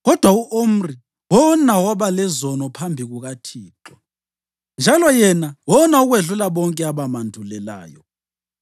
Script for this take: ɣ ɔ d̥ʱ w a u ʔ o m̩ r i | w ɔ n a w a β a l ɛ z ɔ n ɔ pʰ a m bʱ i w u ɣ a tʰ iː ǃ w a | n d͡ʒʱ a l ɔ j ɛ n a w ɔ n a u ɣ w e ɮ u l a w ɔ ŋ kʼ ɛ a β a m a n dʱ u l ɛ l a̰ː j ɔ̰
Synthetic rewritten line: ɣ ɔ d̥ʱ w a u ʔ o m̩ r i | w ɔ n a w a β a l ɛ z ɔ n ɔ pʰ a m bʱ i ɣ u ɣ a tʰ iː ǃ w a | n d͡ʒʱ a l ɔ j ɛ n a w ɔ n a u ɣ w e ɮ u l a β ɔ ŋ kʼ ɛ a β a m a n dʱ u l ɛ l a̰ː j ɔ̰